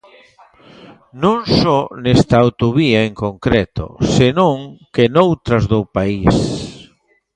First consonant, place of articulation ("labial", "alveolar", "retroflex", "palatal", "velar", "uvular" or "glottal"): alveolar